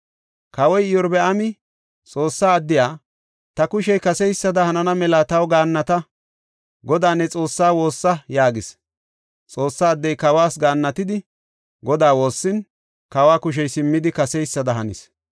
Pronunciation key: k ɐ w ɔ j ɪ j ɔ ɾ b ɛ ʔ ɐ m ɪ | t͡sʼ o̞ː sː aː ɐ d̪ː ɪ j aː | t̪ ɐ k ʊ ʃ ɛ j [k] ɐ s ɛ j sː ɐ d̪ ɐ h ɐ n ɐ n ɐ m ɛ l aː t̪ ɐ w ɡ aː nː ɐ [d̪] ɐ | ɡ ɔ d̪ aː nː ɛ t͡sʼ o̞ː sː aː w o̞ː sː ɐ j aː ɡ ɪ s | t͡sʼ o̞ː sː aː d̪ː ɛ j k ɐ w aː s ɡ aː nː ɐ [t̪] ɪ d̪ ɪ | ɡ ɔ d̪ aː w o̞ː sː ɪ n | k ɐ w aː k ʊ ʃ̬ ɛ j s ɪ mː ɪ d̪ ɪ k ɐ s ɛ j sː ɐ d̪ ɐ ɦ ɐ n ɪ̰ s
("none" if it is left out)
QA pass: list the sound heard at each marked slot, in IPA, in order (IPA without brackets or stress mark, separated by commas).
k, t̪, t̪